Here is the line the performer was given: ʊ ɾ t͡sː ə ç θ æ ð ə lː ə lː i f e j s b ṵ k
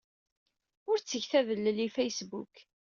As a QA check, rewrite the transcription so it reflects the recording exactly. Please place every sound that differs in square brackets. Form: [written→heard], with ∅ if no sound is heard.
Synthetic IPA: ʊ ɾ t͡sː ə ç θ æ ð ə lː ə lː i f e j s b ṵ k